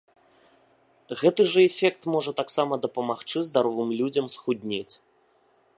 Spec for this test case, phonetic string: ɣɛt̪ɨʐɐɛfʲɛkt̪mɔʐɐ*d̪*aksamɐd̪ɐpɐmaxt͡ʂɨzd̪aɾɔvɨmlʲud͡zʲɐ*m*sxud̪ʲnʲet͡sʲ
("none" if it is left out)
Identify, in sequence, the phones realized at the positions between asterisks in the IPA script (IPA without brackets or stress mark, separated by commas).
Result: t̪, m